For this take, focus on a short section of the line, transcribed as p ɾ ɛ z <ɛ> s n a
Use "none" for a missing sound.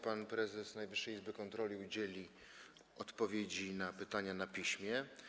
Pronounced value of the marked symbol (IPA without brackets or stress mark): ɛ